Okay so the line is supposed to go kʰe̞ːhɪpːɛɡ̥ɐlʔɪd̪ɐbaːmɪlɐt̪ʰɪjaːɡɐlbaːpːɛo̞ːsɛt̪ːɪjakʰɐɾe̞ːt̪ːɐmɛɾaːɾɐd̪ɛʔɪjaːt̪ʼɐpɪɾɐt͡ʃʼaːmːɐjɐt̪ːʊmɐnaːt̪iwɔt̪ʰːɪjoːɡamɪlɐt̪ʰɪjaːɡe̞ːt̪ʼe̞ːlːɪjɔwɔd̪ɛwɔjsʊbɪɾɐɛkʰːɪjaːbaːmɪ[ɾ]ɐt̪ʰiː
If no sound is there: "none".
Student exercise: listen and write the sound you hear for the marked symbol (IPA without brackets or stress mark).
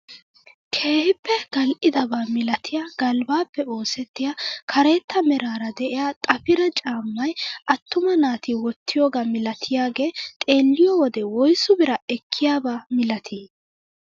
l